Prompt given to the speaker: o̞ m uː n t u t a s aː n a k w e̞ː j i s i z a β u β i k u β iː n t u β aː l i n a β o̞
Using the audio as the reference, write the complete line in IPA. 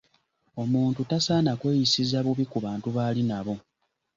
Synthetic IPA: o̞ m uː n t u t a s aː n a k w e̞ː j i s i z a β u β i k u β aː n t u β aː l i n a β o̞